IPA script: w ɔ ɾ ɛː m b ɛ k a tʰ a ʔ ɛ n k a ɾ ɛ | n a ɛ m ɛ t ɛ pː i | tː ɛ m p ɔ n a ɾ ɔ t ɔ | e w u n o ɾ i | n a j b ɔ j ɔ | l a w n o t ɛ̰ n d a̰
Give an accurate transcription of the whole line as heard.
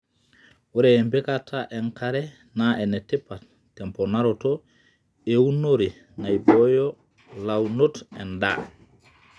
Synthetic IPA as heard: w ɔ ɾ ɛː m b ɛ k a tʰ a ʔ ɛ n k a ɾ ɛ | n a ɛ n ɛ t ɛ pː a | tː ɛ m p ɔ n a ɾ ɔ t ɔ | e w u n o ɾ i | n a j b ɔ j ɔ | l a w n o t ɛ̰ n d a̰

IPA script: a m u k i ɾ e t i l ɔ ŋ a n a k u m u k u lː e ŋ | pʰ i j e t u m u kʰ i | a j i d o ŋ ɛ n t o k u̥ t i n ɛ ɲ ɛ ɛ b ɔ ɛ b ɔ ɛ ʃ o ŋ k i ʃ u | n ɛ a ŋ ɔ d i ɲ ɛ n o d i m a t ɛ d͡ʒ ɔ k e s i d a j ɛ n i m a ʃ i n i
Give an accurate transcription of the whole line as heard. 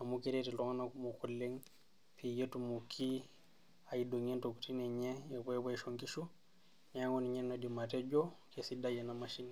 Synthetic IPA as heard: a m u k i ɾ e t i l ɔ ŋ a n a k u m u k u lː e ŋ | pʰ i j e t u m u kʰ i | a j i d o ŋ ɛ n t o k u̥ t i n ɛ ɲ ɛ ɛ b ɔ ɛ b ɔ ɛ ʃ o ŋ k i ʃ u | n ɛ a ŋ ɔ n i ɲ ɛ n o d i m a t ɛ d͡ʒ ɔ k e s i d a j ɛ n a m a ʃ i n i

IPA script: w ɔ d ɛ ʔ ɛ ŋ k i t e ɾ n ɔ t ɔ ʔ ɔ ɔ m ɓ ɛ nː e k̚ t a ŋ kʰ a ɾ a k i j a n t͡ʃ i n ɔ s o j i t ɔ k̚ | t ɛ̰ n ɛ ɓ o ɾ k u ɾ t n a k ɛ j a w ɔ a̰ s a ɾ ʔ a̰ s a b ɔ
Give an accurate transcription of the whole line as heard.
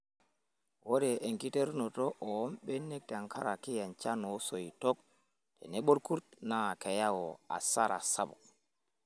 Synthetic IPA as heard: w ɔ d ɛ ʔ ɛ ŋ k i t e ɾ n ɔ t ɔ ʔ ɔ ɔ m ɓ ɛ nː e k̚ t a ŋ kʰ a ɾ a k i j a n t͡ʃ a n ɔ s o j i t ɔ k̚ | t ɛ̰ n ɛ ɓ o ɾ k u ɾ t n a k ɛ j a w ɔ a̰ s a ɾ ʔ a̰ s a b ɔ

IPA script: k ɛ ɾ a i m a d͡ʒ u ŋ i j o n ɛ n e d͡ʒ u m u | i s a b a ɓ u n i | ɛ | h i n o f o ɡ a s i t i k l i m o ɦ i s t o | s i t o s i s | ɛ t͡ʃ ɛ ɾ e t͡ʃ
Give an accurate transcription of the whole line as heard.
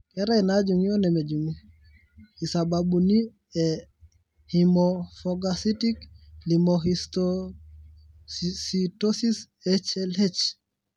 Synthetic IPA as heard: k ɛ ɾ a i n a d͡ʒ u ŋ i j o n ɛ m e d͡ʒ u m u | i s a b a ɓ u n i | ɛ | h i m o f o ɡ a s i t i k l i m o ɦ i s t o | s i t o s i s | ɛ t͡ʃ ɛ l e t͡ʃ

